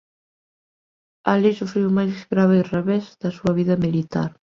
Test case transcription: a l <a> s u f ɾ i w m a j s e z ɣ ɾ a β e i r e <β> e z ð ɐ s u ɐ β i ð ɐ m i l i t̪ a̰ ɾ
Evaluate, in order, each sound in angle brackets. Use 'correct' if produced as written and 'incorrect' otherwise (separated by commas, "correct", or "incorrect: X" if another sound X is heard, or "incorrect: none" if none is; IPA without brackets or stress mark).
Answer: incorrect: i, correct